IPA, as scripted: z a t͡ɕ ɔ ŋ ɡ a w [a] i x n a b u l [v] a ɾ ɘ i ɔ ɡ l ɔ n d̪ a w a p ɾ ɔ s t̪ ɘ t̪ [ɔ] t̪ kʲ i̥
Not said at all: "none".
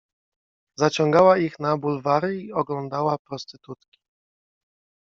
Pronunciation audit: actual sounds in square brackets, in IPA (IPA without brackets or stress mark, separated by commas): a, v, u